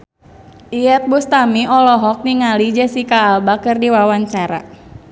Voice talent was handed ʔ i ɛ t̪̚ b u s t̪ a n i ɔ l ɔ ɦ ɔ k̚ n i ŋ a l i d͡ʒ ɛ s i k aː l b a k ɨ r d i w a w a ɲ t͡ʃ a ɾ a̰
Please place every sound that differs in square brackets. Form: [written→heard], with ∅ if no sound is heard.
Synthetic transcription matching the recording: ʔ i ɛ t̪̚ b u s t̪ a [n→m] i ɔ l ɔ ɦ ɔ k̚ n i ŋ a l i d͡ʒ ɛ s i k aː l b a k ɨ r d i w a w a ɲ t͡ʃ a ɾ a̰